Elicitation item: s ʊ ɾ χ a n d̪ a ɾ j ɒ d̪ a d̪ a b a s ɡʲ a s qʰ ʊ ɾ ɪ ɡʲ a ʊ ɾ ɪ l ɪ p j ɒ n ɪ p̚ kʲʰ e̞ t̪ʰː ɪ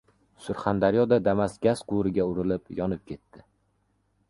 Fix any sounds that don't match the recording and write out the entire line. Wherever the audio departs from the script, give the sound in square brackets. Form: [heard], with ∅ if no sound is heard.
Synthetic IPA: s ʊ ɾ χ a n d̪ a ɾ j ɒ d̪ a d̪ a [m] a s ɡʲ a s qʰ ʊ ɾ ɪ ɡʲ a ʊ ɾ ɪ l ɪ p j ɒ n ɪ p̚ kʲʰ e̞ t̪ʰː ɪ